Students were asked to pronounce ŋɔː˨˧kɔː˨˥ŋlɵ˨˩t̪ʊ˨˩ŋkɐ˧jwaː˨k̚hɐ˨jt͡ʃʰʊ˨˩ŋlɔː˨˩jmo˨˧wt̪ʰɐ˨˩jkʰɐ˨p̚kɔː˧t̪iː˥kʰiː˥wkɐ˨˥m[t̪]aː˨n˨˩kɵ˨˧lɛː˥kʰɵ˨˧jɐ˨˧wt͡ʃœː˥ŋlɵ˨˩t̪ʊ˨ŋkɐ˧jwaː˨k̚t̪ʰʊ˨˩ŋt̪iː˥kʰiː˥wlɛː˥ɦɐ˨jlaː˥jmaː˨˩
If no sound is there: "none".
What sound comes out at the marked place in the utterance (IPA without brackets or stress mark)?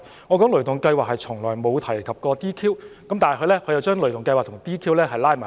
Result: t̪